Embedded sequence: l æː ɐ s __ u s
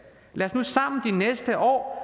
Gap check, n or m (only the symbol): n